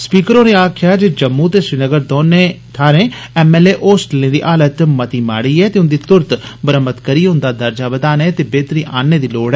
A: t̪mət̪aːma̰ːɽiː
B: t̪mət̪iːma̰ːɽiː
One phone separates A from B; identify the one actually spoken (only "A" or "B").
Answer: B